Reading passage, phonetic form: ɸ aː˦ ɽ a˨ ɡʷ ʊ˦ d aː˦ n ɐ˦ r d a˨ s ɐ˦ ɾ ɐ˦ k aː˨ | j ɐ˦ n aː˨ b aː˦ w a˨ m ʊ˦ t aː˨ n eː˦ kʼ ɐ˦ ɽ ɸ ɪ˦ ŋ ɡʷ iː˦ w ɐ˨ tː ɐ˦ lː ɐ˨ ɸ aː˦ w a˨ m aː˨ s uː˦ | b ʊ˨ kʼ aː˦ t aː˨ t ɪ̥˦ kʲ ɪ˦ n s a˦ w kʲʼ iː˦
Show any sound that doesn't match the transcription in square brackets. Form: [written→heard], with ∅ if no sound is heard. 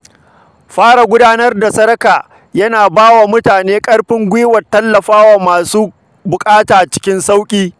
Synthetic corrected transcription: ɸ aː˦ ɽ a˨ ɡʷ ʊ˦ d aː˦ n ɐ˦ r d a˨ s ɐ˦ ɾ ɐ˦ k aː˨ | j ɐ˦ n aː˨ b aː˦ w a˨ m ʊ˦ t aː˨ n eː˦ kʼ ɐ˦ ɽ ɸ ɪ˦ ŋ ɡʷ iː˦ w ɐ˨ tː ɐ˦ lː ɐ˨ ɸ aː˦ w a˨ m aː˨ s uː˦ | b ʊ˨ kʼ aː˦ t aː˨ [t→t͡ʃ] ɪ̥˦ kʲ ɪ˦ n s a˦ w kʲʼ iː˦